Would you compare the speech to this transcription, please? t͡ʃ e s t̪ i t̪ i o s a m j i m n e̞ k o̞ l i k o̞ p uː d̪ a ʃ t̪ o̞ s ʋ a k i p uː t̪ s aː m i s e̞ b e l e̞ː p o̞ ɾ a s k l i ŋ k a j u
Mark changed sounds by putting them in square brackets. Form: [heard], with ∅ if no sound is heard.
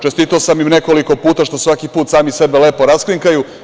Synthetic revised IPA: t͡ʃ e s t̪ i t̪ [a] o s a m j i m n e̞ k o̞ l i k o̞ p uː [t̪] a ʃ t̪ o̞ s ʋ a k i p uː t̪ s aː m i s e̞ b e l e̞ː p o̞ ɾ a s k l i ŋ k a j u